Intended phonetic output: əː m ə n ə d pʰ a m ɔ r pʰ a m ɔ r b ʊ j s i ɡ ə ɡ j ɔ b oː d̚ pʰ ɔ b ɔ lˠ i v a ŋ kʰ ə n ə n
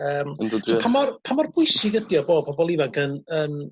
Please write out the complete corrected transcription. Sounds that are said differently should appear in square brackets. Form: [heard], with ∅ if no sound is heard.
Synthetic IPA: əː m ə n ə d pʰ a m ɔ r pʰ a m ɔ r b ʊ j s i ɡ ə [d] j ɔ b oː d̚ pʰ ɔ b ɔ lˠ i v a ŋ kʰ ə n ə n